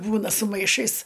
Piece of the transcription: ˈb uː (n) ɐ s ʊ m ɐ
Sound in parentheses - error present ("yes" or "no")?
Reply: no